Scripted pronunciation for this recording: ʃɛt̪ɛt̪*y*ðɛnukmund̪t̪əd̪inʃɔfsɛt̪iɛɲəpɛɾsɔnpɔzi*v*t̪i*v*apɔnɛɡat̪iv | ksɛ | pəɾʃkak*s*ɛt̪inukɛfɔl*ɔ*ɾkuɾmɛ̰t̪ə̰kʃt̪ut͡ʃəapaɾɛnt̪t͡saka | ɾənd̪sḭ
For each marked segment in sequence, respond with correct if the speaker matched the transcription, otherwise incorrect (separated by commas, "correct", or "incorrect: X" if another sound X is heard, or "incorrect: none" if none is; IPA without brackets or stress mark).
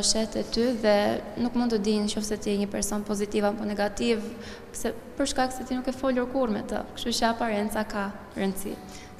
correct, incorrect: none, correct, correct, incorrect: u